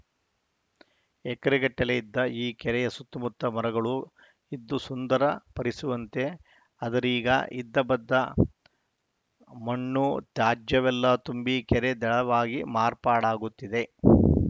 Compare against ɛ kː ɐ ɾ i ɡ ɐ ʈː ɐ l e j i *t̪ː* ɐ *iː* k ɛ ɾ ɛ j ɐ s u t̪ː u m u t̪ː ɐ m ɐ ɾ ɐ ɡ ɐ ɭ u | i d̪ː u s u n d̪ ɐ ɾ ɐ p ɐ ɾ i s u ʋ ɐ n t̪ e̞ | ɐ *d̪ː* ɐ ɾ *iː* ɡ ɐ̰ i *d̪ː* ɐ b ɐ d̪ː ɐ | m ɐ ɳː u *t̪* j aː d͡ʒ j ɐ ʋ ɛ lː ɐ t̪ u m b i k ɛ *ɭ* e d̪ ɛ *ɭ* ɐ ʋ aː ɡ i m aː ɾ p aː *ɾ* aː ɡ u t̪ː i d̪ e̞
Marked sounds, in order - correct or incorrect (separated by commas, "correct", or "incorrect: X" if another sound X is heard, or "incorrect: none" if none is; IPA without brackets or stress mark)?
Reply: incorrect: d̪ː, correct, incorrect: d̪, correct, correct, correct, incorrect: ɾ, correct, incorrect: ɽ